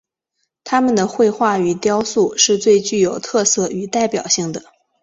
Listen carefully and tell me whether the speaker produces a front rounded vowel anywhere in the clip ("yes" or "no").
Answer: yes